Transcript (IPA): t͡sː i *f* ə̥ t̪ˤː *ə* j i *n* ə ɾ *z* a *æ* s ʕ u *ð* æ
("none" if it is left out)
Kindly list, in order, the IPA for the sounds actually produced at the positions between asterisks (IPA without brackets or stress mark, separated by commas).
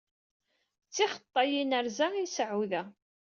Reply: χ, ɑ, n, z, i, ð